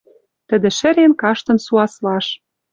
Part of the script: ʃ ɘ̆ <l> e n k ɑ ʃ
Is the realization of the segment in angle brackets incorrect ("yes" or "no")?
yes